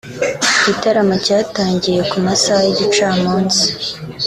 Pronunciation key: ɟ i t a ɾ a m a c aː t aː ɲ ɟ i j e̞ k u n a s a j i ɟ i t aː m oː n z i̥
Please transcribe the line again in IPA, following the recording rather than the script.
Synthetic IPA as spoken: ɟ i t a ɾ a m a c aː t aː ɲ ɟ i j e̞ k u m a s a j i ɟ i t͡ʃ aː m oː n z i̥